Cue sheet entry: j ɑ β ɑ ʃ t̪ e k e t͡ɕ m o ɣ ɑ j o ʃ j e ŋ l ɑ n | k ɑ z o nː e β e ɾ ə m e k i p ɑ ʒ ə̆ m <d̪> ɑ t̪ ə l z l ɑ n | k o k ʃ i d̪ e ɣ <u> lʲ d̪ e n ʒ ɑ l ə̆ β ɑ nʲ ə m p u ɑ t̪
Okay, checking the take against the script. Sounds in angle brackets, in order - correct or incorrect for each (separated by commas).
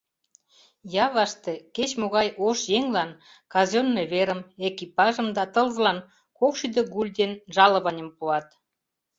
correct, correct